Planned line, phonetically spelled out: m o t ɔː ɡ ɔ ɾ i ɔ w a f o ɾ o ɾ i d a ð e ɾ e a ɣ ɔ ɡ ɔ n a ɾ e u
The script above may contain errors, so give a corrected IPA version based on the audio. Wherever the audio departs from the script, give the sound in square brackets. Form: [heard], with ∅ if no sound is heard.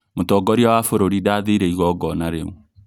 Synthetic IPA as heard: m o t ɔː ɡ ɔ ɾ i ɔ w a f o ɾ o ɾ i d a ð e ɾ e [i] ɣ ɔ ɡ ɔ n a ɾ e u